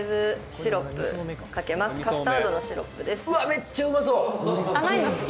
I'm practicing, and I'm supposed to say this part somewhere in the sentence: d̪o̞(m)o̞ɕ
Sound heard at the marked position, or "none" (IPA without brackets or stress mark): n